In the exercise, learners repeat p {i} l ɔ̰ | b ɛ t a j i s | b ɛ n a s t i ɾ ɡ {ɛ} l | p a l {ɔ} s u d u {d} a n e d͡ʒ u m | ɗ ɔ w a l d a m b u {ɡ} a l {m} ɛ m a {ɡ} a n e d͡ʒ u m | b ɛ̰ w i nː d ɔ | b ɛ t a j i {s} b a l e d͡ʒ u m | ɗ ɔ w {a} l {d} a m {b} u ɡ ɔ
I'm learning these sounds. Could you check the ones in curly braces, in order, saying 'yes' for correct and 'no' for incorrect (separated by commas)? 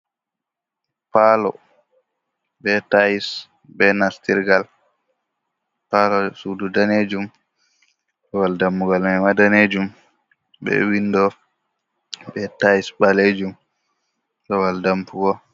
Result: no, no, yes, yes, yes, yes, no, yes, yes, yes, no